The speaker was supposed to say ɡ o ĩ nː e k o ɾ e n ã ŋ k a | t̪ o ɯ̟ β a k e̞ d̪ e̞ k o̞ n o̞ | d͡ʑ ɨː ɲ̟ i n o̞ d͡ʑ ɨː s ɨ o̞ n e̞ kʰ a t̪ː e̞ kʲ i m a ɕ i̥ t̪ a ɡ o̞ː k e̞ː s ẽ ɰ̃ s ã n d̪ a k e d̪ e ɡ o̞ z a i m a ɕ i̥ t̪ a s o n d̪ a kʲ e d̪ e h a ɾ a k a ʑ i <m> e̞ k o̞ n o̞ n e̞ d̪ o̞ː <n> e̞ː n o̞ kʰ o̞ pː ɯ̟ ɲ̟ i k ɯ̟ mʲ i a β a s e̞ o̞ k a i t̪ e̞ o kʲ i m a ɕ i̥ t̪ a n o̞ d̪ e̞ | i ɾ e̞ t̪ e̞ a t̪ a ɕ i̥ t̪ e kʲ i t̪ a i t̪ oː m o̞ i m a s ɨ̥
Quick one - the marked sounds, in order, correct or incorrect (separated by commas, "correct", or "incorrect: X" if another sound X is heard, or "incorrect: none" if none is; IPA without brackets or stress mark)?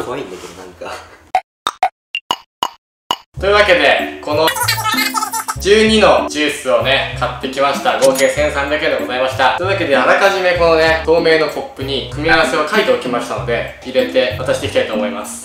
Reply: correct, incorrect: m